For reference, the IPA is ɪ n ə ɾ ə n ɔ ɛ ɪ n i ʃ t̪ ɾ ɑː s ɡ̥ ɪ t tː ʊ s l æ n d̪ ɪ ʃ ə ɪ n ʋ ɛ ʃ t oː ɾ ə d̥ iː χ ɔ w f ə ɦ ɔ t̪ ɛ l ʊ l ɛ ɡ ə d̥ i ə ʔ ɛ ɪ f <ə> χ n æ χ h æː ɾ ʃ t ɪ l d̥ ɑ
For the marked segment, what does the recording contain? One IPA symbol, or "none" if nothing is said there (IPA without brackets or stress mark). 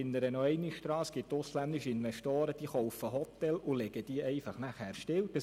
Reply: ɑ